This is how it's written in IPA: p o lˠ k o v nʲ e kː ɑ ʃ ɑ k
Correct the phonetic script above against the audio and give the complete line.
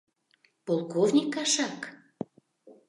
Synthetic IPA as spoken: p o lˠ k o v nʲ i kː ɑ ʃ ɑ k